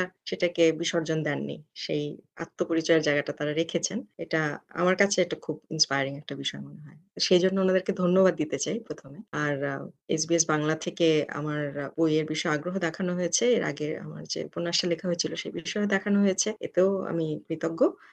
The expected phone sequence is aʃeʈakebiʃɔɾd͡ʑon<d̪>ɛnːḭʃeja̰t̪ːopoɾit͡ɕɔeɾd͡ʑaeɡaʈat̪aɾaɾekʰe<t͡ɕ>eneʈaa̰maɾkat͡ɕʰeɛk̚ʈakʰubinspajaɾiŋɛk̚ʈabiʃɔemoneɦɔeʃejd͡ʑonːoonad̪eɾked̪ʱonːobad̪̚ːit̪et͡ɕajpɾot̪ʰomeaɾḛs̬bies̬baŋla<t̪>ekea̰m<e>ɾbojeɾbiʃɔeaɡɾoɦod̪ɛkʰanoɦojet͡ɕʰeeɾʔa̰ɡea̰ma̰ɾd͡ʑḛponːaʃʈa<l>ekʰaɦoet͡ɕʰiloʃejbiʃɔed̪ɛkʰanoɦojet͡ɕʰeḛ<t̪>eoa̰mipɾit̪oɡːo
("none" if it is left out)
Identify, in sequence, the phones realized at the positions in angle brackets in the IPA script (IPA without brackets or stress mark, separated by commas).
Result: d̪, t͡ɕʰ, t̪ʰ, a, l, t̪